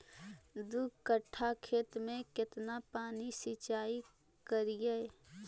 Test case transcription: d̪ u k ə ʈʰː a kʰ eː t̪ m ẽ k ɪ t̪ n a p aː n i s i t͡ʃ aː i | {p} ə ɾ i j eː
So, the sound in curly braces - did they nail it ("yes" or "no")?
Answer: no